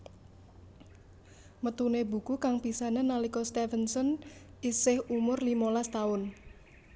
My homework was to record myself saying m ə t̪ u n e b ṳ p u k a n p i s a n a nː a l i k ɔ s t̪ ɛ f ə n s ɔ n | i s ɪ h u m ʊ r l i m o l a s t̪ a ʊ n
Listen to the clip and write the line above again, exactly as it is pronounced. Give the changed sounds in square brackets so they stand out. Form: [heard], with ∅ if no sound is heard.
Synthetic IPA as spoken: m ə t̪ u n e b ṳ [k] u k a [ŋ] p i s a n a [n] a l i k ɔ s t̪ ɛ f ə n s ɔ n | i s ɪ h u m ʊ r l i m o l a s t̪ a ʊ n